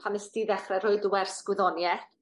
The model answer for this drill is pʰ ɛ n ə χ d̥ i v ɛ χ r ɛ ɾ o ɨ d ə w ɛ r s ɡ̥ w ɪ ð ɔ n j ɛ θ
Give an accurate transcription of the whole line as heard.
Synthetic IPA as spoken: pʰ a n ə s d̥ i ð ɛ χ r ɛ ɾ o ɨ d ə w ɛ r s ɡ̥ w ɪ ð ɔ n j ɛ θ